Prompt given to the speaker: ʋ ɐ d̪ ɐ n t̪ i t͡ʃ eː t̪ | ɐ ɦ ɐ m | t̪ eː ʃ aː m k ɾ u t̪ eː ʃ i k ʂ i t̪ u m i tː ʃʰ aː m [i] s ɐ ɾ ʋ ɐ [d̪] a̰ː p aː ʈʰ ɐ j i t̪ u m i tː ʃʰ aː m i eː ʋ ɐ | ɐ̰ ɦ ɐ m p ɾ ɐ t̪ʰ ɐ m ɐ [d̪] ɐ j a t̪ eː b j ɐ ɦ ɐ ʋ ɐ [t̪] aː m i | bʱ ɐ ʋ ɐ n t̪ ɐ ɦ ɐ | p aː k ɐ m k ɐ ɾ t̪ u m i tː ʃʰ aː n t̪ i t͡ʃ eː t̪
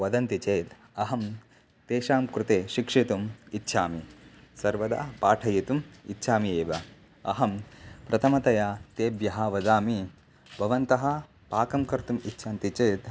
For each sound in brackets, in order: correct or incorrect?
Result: correct, correct, incorrect: t̪, incorrect: d̪

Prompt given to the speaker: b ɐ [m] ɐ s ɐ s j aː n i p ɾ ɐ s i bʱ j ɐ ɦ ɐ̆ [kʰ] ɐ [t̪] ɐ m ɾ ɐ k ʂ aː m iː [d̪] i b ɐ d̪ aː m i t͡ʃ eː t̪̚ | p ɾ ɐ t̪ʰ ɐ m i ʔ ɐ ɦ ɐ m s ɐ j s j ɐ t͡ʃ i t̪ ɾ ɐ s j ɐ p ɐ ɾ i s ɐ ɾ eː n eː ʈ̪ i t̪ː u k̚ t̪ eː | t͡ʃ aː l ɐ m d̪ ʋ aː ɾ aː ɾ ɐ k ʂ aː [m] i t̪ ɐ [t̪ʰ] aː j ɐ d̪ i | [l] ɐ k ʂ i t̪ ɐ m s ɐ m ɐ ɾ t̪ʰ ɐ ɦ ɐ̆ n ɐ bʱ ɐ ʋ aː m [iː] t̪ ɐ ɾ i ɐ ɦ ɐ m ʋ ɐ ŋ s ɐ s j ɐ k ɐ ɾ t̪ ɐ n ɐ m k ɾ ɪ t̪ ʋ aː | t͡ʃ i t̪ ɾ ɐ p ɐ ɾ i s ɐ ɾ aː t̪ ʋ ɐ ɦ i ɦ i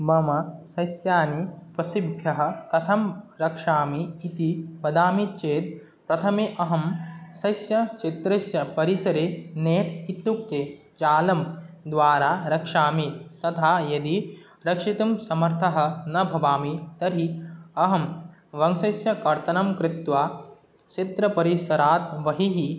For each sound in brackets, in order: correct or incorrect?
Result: correct, incorrect: k, incorrect: t̪ʰ, incorrect: t̪, correct, correct, incorrect: ɾ, incorrect: i

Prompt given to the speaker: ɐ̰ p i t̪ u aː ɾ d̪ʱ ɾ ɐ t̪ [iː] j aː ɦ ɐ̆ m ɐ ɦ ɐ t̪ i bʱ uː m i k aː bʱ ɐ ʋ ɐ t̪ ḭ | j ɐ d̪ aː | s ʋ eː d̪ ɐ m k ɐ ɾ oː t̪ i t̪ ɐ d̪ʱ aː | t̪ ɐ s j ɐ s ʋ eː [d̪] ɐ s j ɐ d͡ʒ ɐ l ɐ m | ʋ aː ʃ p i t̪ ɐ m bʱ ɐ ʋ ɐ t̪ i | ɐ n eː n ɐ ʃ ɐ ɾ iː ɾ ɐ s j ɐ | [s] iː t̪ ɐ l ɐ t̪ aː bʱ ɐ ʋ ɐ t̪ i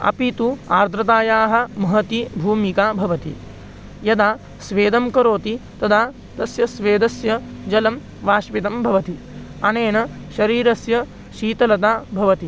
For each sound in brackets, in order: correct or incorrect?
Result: incorrect: aː, correct, incorrect: ʃ

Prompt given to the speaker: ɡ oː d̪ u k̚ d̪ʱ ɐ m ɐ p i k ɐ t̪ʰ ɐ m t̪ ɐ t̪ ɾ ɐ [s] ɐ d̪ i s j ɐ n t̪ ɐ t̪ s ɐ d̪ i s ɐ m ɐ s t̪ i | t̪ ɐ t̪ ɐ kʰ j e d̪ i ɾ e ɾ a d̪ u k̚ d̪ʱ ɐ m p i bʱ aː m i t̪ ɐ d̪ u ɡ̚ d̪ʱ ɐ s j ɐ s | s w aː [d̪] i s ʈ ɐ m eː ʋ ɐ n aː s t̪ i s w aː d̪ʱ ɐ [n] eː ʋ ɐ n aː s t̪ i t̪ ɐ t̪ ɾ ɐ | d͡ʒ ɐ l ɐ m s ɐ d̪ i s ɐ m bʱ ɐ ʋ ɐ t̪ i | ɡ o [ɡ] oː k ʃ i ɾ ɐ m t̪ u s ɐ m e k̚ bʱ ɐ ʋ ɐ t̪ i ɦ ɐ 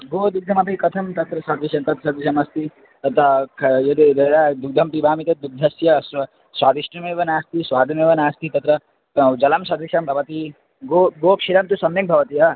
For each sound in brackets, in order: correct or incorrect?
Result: correct, correct, incorrect: m, correct

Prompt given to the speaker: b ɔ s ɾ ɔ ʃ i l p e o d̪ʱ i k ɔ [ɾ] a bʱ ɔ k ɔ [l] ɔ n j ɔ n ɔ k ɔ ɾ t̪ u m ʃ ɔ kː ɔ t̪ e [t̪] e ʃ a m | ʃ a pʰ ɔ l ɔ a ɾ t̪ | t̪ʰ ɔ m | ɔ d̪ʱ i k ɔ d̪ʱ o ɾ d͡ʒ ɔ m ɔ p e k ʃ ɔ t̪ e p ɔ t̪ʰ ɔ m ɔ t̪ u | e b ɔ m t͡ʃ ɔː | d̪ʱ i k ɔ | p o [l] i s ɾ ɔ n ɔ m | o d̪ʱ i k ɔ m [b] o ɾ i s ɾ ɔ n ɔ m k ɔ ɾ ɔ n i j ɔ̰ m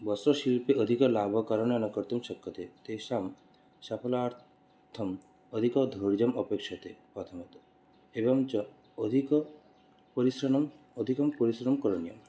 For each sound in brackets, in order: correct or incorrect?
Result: incorrect: l, incorrect: ɾ, correct, incorrect: ɾ, incorrect: p

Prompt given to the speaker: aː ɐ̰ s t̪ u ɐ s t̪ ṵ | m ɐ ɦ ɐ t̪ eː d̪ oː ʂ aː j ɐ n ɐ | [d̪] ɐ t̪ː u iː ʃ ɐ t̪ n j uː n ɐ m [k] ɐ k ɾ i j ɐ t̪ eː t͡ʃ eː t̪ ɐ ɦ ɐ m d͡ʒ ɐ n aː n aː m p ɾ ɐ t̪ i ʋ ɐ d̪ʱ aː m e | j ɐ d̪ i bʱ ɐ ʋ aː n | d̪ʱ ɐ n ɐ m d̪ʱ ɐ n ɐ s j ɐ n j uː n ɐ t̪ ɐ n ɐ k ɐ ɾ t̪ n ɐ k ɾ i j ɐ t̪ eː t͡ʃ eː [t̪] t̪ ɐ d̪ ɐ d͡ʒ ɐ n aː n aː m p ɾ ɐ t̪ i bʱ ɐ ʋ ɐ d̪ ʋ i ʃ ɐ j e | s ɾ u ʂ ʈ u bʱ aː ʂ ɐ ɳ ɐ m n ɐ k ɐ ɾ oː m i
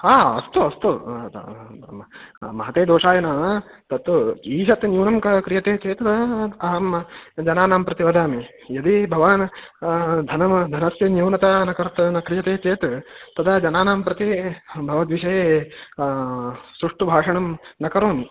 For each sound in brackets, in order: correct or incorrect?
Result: incorrect: t̪, correct, correct

